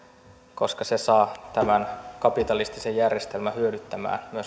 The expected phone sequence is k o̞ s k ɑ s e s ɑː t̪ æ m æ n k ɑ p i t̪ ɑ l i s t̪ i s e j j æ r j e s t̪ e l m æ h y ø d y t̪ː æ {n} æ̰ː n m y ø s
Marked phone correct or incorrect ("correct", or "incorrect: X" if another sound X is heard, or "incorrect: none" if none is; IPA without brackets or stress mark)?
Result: incorrect: m